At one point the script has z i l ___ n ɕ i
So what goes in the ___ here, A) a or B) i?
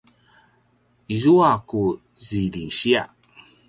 B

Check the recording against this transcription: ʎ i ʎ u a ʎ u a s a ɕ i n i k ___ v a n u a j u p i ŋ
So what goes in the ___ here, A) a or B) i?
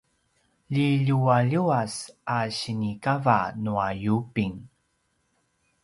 A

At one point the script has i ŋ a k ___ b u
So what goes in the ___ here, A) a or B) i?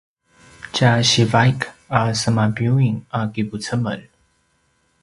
B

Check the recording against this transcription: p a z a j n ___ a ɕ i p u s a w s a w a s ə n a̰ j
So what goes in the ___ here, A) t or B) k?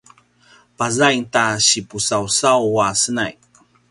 A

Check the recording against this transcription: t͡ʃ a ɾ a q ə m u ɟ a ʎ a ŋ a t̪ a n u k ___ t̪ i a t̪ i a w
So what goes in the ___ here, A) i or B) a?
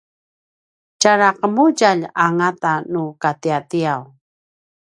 B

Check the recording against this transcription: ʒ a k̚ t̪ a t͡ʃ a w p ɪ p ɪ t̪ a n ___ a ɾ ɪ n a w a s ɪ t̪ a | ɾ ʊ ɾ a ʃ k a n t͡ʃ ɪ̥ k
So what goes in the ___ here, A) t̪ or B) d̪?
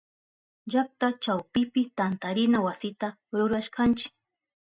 A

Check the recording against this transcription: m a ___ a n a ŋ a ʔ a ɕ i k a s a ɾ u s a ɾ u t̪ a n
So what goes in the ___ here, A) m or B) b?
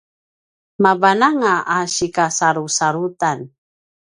B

